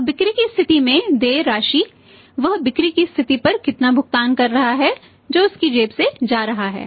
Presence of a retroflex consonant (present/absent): absent